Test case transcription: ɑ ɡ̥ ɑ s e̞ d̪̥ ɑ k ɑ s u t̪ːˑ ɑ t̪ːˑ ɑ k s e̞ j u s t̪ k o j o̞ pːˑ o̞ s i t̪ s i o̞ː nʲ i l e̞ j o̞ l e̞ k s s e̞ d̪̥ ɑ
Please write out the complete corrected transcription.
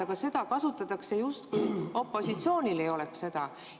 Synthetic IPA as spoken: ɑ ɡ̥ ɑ s e̞ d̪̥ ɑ k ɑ s u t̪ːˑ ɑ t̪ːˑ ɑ k s e̞ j u s t̪ k u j o̞ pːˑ o̞ s i t̪ s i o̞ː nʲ i l e̞ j o̞ l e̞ k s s e̞ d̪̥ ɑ